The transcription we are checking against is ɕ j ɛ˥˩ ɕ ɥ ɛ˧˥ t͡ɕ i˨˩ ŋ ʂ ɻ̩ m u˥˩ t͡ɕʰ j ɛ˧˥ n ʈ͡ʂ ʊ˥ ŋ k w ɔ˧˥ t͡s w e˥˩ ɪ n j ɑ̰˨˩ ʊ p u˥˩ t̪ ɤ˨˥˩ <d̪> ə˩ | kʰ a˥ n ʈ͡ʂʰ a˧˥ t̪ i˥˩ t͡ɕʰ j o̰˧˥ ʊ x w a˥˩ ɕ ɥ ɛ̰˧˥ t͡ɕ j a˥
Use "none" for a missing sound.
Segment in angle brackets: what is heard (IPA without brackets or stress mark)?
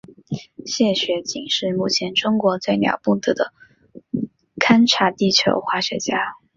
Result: d̪